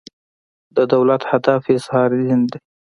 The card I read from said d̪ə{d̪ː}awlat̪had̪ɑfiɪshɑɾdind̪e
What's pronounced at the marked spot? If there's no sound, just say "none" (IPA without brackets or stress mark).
d̪